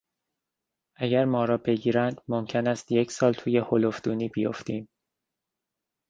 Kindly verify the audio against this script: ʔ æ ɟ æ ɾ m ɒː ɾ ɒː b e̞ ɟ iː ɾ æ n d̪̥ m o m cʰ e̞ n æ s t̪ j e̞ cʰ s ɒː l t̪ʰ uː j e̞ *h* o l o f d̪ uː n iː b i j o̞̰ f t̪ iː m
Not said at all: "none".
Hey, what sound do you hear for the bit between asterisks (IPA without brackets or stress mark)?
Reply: h